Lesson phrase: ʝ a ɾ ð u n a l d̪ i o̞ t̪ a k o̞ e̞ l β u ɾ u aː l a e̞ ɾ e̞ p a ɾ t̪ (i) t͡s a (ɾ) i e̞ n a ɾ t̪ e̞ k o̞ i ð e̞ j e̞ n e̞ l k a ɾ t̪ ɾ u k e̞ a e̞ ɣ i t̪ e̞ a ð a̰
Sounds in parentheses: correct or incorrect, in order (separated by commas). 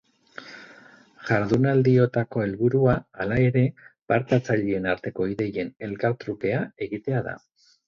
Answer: incorrect, incorrect